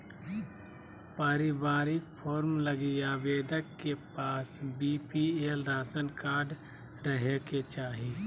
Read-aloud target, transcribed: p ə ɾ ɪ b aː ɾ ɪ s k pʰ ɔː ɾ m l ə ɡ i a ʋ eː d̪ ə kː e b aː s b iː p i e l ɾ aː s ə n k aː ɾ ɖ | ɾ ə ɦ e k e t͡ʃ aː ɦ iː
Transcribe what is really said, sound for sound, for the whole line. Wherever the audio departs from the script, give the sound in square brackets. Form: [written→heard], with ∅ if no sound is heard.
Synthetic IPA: p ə ɾ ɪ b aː ɾ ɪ [s→∅] k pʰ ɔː ɾ m l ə ɡ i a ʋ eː d̪ ə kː e [b→p] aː s b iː p i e l ɾ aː s ə n k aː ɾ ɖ | ɾ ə ɦ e k e t͡ʃ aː ɦ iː